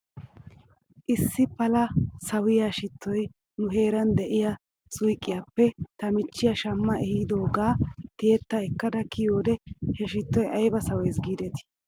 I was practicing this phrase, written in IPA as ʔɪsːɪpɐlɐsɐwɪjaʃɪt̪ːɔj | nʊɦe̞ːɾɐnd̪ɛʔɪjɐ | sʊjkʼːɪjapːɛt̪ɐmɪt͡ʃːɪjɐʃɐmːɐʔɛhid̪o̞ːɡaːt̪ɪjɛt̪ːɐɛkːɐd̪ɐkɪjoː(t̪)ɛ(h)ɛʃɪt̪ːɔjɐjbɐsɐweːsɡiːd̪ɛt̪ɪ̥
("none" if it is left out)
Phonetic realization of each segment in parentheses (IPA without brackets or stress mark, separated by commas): d̪, h